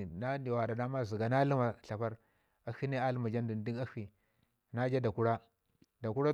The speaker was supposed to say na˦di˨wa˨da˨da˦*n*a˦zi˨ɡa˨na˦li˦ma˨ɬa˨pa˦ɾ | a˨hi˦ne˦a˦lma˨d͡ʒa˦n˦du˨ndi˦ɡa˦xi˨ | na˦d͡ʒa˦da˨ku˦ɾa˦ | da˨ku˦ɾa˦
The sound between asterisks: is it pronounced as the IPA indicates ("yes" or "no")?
no